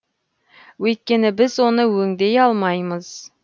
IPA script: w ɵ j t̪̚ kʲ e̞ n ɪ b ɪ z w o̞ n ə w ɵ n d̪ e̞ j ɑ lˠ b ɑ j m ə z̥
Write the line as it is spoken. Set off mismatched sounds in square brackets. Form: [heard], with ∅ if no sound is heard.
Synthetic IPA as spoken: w ɵ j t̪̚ kʲ e̞ n ɪ b ɪ z w o̞ n ə w ɵ [ŋ] d̪ e̞ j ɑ lˠ [m] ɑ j m ə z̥